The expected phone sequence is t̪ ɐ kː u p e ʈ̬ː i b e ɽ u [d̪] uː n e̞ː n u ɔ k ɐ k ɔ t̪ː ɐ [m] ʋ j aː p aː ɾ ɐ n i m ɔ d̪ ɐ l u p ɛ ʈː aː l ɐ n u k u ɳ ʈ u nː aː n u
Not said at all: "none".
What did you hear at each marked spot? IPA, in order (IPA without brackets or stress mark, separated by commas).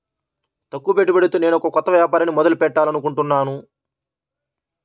t̪, none